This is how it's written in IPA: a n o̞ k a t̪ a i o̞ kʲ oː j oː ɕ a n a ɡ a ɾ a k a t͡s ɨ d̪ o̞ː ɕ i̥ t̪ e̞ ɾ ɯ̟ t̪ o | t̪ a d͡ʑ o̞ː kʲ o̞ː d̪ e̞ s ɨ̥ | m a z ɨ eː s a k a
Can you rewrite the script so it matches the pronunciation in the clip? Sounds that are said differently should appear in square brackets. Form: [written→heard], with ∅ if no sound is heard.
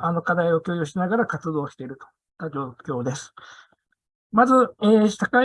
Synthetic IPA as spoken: a n o̞ k a [t̪→d̪] a i o̞ kʲ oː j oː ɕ [a→i] n a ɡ a ɾ a k a t͡s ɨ d̪ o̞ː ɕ i̥ t̪ e̞ ɾ ɯ̟ t̪ o | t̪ a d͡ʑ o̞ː kʲ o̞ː d̪ e̞ s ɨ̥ | m a z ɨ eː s a k a